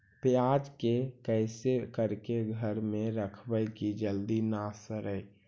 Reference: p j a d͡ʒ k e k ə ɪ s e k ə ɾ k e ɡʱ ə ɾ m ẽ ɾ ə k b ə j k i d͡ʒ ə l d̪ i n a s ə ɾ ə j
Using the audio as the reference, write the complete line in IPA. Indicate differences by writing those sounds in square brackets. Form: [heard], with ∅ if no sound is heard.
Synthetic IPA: p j a d͡ʒ k e k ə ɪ s e k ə ɾ k e ɡʱ ə ɾ m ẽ ɾ ə [kʰ] b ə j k i d͡ʒ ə l d̪ i n a s ə ɾ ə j